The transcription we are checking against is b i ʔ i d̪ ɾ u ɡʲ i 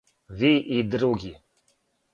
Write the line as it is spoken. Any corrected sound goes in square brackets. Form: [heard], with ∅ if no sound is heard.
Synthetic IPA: [v] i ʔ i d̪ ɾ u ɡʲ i